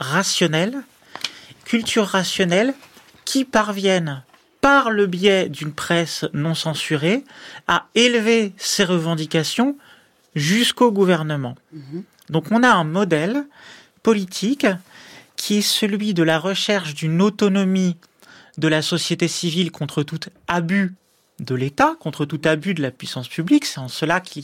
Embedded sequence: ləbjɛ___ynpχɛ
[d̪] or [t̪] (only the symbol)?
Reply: d̪